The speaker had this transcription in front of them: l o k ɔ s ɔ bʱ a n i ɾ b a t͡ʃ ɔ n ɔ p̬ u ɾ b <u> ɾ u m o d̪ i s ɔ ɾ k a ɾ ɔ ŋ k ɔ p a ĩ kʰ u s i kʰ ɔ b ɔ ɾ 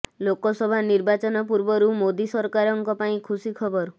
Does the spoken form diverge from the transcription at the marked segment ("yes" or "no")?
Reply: yes